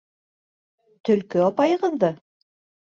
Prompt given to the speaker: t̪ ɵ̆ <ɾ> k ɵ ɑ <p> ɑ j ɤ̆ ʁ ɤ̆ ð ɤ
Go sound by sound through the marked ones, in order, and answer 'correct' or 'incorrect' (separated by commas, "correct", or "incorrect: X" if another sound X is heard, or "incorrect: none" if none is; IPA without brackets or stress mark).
incorrect: l, correct